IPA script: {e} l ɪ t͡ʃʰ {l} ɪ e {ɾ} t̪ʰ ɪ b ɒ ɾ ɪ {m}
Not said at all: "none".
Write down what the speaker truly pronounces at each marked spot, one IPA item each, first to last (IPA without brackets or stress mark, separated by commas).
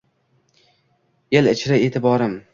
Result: e, ɾ, none, m